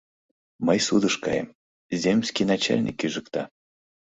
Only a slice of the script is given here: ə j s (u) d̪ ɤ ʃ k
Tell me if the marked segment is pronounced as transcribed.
yes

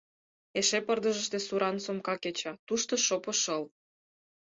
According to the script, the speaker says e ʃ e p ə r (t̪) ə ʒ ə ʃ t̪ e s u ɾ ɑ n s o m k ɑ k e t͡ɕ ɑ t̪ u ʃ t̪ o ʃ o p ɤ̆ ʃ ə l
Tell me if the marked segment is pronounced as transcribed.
no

